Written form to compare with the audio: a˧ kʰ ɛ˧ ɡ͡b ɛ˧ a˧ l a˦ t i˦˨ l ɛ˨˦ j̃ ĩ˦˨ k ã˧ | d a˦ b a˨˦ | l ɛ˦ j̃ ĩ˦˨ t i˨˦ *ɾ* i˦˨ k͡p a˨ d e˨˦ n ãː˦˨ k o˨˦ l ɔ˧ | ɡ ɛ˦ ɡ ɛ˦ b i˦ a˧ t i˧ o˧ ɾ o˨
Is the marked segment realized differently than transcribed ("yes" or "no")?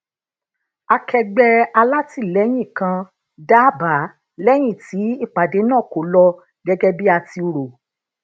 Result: yes